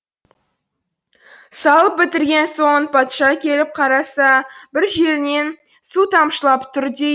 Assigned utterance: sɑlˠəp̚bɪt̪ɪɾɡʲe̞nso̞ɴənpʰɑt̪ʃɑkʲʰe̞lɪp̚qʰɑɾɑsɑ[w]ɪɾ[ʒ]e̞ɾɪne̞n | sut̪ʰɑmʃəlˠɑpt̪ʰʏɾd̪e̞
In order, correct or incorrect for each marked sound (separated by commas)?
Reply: incorrect, correct